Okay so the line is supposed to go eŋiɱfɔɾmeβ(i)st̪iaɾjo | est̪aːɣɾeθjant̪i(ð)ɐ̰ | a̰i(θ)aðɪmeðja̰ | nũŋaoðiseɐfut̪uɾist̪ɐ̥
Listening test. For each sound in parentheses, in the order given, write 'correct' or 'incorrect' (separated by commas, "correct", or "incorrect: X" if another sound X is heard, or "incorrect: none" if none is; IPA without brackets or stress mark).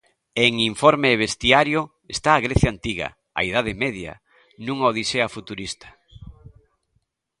incorrect: e, incorrect: ɣ, incorrect: ð